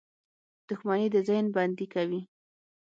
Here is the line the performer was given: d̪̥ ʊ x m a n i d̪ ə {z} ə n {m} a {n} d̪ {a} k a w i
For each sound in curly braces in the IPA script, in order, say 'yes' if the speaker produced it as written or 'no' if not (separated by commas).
yes, no, yes, no